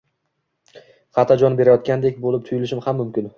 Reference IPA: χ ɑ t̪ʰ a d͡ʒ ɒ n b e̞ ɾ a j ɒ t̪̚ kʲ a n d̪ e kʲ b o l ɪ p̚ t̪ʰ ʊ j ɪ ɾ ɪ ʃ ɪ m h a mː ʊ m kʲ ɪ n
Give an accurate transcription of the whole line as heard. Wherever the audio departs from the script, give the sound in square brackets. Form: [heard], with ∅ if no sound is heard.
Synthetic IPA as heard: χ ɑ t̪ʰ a d͡ʒ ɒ n b e̞ ɾ a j ɒ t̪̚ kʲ a n d̪ e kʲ b o l ɪ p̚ t̪ʰ ʊ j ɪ [l] ɪ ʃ ɪ m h a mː ʊ m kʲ ɪ n